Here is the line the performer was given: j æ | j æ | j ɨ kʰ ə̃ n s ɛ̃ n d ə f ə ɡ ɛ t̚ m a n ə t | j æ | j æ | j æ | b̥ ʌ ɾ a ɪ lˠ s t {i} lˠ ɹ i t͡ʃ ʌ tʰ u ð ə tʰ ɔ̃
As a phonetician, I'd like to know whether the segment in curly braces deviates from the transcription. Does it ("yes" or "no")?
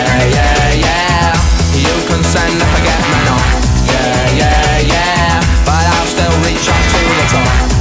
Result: yes